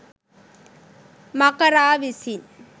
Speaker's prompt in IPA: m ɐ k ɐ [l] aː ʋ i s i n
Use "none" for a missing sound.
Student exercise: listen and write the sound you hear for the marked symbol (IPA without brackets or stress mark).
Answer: ɾ